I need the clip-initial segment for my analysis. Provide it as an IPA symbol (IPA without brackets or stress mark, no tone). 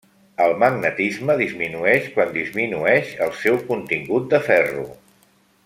ə